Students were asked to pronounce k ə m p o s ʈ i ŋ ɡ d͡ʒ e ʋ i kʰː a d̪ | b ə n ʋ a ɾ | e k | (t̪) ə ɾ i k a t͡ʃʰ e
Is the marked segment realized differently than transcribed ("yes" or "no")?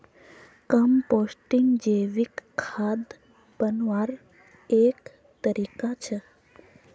no